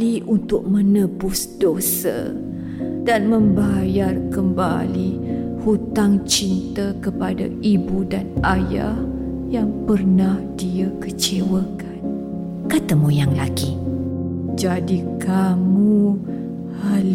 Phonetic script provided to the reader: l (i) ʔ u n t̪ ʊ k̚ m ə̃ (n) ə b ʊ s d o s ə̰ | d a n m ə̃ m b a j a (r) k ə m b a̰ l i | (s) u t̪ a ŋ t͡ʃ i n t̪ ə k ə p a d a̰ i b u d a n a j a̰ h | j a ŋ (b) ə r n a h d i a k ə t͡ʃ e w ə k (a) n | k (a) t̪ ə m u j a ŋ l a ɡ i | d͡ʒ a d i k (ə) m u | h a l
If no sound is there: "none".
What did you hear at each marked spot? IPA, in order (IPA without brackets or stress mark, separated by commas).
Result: i, n, r, h, p, a, a, a